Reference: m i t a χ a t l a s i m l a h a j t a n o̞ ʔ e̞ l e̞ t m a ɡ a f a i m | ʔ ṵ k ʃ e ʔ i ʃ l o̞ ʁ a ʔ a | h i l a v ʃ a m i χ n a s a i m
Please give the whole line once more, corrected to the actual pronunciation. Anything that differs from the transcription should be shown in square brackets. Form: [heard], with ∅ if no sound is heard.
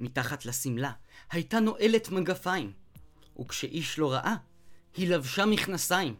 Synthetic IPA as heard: m i t a χ a t l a s i m l a h a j t a n o̞ ʔ e̞ l e̞ t m a ɡ a f a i m | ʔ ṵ k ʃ e ʔ i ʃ l o̞ ʁ a ʔ a | h i l a v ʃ a m i χ n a s a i m